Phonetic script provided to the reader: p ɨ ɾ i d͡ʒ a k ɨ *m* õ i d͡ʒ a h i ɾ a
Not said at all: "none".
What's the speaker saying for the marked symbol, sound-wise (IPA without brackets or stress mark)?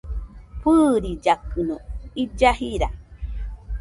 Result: n